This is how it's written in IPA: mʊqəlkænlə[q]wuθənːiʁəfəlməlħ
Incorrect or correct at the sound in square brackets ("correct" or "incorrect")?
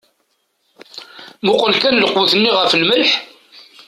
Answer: correct